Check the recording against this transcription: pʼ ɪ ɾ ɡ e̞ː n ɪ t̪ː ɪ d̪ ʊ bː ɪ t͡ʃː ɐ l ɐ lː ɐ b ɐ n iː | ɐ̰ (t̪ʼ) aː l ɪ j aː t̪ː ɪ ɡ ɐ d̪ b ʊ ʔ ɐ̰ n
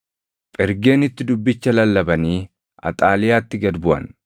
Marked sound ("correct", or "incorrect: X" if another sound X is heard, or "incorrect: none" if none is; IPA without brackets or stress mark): correct